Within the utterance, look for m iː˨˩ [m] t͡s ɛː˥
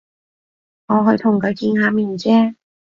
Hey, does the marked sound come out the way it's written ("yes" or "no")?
no